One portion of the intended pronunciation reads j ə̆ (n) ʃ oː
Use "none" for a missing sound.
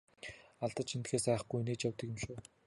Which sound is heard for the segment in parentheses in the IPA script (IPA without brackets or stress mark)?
m